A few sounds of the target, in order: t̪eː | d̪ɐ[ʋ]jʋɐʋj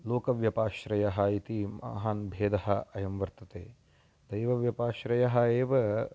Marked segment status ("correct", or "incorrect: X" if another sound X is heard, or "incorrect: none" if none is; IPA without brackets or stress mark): incorrect: none